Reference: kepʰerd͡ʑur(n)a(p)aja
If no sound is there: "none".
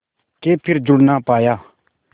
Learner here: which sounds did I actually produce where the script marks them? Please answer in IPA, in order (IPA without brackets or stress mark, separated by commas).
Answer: n, p